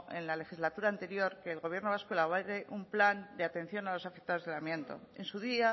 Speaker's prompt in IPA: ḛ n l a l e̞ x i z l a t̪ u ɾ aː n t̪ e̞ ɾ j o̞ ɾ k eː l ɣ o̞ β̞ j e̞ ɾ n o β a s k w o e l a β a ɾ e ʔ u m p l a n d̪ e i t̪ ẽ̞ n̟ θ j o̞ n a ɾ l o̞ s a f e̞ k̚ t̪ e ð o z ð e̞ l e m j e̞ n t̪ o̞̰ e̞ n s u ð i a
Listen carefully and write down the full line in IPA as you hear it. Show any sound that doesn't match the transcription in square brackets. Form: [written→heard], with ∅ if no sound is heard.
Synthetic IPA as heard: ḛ n l a l e̞ x i z l a t̪ u ɾ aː n t̪ e̞ ɾ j o̞ ɾ k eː l ɣ o̞ β̞ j e̞ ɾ n o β a s k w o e l a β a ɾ e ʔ u m p l a n d̪ e [i→a] t̪ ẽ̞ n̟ θ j o̞ n a [ɾ→∅] l o̞ s a f e̞ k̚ t̪ [e→a] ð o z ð e̞ l [e→a] m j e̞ n t̪ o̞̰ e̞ n s u ð i a